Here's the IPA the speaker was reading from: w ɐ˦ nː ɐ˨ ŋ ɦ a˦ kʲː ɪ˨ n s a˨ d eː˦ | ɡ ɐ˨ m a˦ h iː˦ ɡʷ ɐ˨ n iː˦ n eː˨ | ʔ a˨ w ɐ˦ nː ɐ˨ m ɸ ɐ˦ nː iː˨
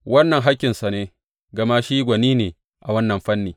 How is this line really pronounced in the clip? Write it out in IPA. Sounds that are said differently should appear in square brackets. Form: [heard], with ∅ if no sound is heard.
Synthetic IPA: w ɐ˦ nː ɐ˨ ŋ ɦ a˦ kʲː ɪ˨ n s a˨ [n] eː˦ | ɡ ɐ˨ m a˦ [ʃ] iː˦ ɡʷ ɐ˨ n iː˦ n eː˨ | ʔ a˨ w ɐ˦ nː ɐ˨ m ɸ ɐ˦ nː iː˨

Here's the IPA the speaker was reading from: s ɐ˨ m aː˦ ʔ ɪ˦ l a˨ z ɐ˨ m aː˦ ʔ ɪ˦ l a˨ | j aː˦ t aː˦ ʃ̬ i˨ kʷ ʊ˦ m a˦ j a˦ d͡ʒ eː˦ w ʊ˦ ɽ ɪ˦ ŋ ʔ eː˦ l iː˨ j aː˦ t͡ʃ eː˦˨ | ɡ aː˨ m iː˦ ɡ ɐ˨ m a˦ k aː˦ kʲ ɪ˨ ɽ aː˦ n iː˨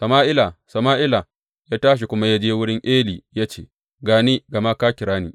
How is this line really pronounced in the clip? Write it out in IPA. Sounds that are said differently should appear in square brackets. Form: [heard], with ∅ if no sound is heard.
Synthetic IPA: s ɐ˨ m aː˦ ʔ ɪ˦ l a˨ [s] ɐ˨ m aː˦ ʔ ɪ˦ l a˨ | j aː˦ t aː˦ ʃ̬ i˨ kʷ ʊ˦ m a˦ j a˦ d͡ʒ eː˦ w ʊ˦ ɽ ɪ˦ ŋ ʔ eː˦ l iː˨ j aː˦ t͡ʃ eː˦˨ | ɡ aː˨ [n] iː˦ ɡ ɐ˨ m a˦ k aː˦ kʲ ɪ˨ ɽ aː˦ n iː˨

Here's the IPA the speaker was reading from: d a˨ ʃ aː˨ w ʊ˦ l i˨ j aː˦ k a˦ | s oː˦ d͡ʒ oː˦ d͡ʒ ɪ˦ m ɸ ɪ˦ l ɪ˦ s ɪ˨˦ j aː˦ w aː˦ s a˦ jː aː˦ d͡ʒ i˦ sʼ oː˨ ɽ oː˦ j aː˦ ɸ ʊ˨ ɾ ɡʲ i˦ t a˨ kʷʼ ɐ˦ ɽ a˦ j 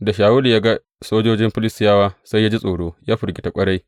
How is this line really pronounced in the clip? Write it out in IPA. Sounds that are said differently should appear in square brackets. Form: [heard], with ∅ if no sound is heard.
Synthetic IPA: d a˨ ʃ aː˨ w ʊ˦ l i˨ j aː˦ [ɡ] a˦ | s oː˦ d͡ʒ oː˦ d͡ʒ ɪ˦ m ɸ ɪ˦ l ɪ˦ s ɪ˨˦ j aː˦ w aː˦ s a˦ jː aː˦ d͡ʒ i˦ sʼ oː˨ ɽ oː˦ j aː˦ ɸ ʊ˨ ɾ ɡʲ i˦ t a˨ kʷʼ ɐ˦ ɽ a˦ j

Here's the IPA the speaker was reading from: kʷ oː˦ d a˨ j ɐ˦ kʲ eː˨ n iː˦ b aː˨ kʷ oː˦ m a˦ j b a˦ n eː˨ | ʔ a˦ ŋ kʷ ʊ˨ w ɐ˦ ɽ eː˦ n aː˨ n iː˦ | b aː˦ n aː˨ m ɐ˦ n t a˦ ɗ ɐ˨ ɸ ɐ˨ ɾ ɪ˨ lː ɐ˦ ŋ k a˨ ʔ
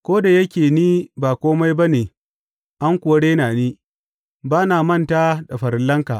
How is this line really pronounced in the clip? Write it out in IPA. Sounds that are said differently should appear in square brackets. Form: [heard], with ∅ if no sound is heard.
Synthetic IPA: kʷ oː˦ d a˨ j ɐ˦ kʲ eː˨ n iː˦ b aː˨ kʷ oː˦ m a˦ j b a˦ n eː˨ | ʔ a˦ ŋ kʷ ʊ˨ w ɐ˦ ɽ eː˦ n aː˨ n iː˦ | b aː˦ n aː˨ m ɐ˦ n t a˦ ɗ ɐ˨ ɸ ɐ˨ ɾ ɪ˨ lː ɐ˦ ŋ k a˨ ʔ

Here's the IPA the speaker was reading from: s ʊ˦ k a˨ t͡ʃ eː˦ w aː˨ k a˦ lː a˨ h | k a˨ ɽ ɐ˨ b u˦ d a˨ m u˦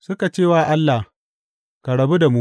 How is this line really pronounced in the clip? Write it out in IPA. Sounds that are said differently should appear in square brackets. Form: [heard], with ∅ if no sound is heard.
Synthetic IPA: s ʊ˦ k a˨ t͡ʃ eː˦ w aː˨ [ʔ] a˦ lː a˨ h | k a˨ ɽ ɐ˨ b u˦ d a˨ m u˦

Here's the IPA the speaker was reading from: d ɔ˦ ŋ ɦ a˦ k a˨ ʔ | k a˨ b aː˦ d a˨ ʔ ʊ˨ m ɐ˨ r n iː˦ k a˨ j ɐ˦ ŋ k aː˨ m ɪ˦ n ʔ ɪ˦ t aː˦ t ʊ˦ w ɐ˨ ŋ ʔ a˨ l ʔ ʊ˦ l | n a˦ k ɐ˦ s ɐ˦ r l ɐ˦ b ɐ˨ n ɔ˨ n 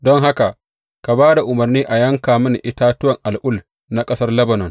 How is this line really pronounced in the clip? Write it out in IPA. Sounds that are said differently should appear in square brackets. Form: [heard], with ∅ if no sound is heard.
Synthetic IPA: d ɔ˦ ŋ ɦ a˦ k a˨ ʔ | k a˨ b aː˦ d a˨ ʔ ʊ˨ m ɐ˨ r n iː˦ [ʔ] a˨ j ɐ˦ ŋ k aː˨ m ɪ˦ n ʔ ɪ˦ t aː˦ t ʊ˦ w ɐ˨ ŋ ʔ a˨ l ʔ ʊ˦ l | n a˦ [kʼ] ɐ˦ s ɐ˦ r l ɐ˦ b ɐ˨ n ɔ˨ n

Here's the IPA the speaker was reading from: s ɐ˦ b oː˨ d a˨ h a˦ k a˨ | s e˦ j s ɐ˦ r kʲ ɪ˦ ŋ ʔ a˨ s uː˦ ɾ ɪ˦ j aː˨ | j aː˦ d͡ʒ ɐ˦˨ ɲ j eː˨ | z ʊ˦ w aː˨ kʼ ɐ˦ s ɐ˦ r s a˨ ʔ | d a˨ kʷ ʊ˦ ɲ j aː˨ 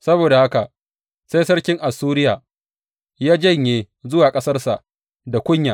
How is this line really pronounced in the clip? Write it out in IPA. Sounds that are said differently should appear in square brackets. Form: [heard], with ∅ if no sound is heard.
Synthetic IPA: s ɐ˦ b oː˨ d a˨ h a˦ k a˨ | s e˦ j s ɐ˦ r kʲ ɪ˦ ŋ ʔ a˨ s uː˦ ɾ ɪ˦ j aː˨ | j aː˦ d͡ʒ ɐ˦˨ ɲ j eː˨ | z ʊ˦ w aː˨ kʼ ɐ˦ s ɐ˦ r s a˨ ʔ | d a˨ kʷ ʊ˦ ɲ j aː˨

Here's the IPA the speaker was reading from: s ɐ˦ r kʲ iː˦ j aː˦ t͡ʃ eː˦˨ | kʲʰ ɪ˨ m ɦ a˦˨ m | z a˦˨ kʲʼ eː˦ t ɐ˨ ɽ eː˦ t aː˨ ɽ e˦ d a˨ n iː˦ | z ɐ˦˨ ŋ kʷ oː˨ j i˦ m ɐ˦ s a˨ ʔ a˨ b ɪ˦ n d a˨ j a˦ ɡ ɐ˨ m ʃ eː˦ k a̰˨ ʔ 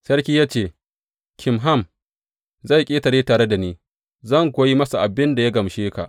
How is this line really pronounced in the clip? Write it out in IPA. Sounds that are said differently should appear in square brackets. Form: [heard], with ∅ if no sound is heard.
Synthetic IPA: s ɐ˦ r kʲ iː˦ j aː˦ t͡ʃ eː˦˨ | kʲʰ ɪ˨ m ɦ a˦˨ m | z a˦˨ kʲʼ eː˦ t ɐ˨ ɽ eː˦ t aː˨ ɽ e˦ d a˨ n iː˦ | z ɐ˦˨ ŋ kʷ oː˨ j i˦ m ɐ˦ s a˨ ʔ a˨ b ɪ˦ n d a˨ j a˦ ɡ ɐ˨ m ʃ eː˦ k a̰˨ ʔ

